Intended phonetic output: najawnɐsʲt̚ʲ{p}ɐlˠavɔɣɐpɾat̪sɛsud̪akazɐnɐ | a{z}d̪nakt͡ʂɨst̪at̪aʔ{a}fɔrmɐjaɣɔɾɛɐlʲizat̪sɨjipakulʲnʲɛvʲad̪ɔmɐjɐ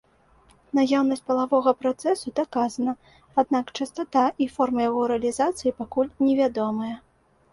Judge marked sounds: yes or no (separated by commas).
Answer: yes, no, no